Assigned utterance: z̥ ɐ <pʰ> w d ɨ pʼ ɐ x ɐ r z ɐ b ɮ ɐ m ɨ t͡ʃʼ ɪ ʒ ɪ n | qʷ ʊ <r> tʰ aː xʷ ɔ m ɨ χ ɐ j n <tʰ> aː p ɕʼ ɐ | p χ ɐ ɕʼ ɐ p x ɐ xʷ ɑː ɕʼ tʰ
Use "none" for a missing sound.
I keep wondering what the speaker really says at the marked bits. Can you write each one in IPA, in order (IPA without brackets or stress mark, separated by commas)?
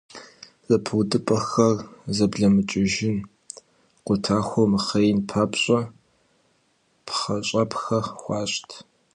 pʰ, none, pʰ